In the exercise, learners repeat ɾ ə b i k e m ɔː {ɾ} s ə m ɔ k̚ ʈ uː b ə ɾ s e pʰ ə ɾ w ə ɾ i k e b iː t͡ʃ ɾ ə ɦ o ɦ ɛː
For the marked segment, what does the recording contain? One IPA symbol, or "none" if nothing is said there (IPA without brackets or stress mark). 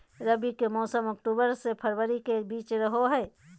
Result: none